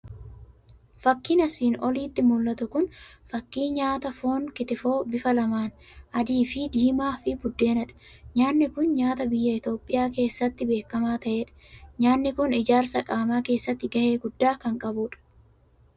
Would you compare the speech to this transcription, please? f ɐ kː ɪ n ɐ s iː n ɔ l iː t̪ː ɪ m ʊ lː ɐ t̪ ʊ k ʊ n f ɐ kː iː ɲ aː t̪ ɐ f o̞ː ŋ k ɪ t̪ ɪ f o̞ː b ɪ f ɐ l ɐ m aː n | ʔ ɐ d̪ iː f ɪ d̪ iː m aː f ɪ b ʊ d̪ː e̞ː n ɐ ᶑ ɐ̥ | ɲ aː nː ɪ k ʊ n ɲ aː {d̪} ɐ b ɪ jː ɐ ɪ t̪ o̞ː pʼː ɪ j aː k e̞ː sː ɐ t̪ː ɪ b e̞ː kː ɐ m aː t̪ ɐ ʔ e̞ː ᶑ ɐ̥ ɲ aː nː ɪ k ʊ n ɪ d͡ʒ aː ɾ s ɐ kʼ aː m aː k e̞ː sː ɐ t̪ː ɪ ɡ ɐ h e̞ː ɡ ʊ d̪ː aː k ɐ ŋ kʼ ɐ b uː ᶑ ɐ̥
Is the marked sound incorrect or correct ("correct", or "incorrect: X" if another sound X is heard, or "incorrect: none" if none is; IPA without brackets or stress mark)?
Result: incorrect: t̪